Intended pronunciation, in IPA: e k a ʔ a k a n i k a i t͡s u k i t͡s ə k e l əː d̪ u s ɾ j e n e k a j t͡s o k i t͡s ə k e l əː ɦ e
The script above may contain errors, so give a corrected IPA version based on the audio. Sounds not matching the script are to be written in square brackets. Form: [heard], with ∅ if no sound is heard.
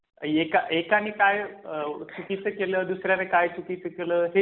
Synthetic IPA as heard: e k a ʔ [e] k a n i k a [j] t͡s u k i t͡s ə k e l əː d̪ u s ɾ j [a] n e k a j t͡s [u] k i t͡s ə k e l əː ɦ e